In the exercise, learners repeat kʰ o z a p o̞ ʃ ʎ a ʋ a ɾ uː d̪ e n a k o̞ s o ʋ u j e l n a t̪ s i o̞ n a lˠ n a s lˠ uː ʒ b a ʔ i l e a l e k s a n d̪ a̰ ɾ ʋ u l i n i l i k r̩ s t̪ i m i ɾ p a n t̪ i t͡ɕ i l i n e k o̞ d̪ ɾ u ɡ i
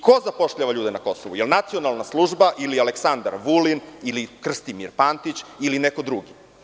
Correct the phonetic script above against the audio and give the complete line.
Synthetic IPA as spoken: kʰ o z a p o̞ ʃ ʎ a ʋ a ʎ uː d̪ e n a k o̞ s o ʋ u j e l n a t̪ s i o̞ n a lˠ n a s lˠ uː ʒ b a ʔ i l i a l e k s a n d̪ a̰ ɾ ʋ u l i n i l i k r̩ s t̪ i m i ɾ p a n t̪ i t͡ɕ i l i n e k o̞ d̪ ɾ u ɡ i